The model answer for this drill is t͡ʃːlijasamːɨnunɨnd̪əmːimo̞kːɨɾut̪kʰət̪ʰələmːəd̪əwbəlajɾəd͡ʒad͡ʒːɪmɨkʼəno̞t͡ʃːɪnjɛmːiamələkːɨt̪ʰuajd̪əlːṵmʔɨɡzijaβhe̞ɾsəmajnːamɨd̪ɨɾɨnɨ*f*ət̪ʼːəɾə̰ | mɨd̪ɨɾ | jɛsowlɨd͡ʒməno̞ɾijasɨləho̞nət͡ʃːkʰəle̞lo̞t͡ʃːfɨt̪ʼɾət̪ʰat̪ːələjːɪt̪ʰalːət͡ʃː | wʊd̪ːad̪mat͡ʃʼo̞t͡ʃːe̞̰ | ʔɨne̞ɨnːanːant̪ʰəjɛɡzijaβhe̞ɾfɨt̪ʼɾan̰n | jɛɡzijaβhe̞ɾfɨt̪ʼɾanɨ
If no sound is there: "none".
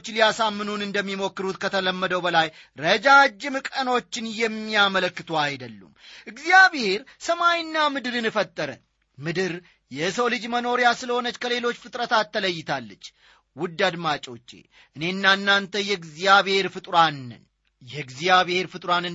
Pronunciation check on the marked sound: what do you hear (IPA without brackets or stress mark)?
f